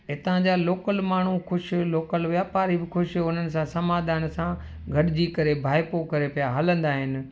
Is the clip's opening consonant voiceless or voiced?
voiceless